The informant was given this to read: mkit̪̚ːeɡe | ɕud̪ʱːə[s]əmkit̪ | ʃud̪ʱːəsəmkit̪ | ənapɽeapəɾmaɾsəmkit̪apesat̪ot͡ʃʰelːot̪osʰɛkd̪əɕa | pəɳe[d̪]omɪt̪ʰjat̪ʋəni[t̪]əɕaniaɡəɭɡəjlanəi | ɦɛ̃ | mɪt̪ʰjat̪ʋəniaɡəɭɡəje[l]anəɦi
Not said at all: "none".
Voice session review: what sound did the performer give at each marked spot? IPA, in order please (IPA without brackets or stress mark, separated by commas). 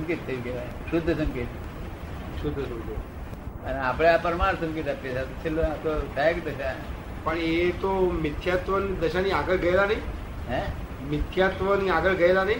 s, t̪, d̪, l